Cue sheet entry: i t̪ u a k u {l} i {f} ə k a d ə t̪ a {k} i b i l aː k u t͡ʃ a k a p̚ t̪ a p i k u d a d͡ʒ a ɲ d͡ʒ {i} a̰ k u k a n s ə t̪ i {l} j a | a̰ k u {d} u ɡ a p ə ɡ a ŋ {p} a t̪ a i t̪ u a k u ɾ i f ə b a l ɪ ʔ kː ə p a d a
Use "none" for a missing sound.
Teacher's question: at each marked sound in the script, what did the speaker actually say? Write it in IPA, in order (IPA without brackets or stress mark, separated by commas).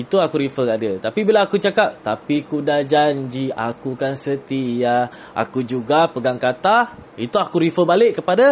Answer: ɾ, f, p, i, none, d͡ʒ, k